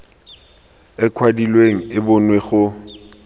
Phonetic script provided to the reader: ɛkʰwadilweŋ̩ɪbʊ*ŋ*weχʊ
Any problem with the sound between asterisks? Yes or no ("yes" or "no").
yes